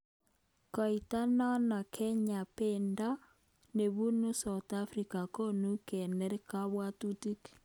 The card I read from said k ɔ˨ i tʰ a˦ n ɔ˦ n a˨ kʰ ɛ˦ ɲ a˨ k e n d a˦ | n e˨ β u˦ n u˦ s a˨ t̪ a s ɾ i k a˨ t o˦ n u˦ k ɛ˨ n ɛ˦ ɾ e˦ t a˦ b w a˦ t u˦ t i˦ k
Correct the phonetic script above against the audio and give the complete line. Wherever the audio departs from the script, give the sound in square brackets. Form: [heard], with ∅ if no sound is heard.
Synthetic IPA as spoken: k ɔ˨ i [t] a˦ n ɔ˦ n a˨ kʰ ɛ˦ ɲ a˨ [p] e n d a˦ | n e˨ β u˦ n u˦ s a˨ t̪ a [f] ɾ i k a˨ [k] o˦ n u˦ k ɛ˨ n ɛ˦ ɾ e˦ [k] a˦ [β] w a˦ t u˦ t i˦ k